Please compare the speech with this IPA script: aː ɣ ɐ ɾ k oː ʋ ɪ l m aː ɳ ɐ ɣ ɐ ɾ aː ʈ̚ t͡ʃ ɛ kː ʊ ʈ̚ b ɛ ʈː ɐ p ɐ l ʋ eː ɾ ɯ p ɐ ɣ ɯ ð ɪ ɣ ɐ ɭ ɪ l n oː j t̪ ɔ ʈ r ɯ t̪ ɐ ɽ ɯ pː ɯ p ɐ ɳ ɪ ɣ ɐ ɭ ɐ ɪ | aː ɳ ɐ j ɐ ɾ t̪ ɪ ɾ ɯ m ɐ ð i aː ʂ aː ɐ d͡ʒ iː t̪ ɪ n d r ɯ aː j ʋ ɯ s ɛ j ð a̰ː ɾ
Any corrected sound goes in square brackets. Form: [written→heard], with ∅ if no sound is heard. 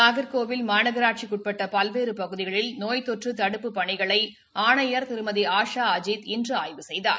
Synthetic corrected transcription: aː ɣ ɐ ɾ k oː ʋ ɪ l m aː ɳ ɐ ɣ ɐ ɾ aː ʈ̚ t͡ʃ [ɛ→i] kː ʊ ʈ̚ [b→p] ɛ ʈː ɐ p ɐ l ʋ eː ɾ ɯ p ɐ ɣ ɯ ð ɪ ɣ ɐ ɭ ɪ l n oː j t̪ ɔ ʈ r ɯ t̪ ɐ ɽ ɯ pː ɯ p ɐ ɳ ɪ ɣ ɐ ɭ ɐ ɪ | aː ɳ ɐ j ɐ ɾ t̪ ɪ ɾ ɯ m ɐ ð i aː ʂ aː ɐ d͡ʒ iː t̪ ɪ n d r ɯ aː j ʋ ɯ s ɛ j ð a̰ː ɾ

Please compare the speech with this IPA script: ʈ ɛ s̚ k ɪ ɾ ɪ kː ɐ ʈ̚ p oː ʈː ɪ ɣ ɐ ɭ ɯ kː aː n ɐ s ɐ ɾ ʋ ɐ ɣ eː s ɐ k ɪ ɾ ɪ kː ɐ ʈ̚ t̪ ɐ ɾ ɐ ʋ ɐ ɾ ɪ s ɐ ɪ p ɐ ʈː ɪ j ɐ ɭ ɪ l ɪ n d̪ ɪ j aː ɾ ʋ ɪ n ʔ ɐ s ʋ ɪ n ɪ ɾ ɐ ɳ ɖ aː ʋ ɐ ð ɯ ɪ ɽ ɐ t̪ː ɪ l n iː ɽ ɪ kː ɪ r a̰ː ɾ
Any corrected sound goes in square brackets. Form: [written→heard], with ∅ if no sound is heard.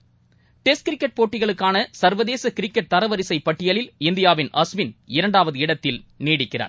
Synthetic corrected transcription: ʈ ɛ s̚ k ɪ ɾ ɪ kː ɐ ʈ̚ p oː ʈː ɪ ɣ ɐ ɭ ɯ kː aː n ɐ s ɐ ɾ ʋ ɐ [ɣ→ð] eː s ɐ k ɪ ɾ ɪ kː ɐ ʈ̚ t̪ ɐ ɾ ɐ ʋ ɐ ɾ ɪ s ɐ ɪ p ɐ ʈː ɪ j ɐ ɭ ɪ l ɪ n d̪ ɪ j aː [ɾ→∅] ʋ ɪ n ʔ ɐ s ʋ ɪ n ɪ ɾ ɐ ɳ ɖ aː ʋ ɐ ð ɯ ɪ ɽ ɐ t̪ː ɪ l n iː ɽ ɪ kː ɪ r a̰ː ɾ

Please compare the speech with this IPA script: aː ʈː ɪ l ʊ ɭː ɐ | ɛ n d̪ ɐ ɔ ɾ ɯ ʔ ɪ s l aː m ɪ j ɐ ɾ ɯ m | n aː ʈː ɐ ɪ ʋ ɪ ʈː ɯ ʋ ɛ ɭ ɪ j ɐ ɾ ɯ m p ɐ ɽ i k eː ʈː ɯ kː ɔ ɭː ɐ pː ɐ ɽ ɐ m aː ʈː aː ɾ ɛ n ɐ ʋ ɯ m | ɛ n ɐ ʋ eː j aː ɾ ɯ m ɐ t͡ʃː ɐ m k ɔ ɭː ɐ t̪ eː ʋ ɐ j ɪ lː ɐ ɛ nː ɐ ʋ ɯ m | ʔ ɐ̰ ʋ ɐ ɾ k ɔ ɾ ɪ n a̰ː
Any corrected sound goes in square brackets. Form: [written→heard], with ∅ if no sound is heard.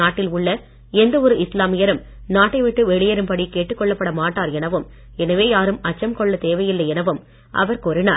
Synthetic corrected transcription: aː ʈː ɪ l ʊ ɭː ɐ | ɛ n d̪ ɐ ɔ ɾ ɯ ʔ ɪ s l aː m ɪ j ɐ ɾ ɯ m | n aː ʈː ɐ ɪ ʋ ɪ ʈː ɯ ʋ ɛ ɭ ɪ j ɐ ɾ ɯ m p ɐ ɽ i k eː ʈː ɯ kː ɔ ɭː ɐ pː ɐ ɽ ɐ m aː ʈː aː ɾ ɛ n ɐ ʋ ɯ m | ɛ n ɐ ʋ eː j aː ɾ ɯ m ɐ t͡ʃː ɐ m k ɔ ɭː ɐ t̪ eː ʋ ɐ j ɪ lː ɐ ɛ [nː→n] ɐ ʋ ɯ m | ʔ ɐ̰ ʋ ɐ ɾ k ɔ ɾ ɪ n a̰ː

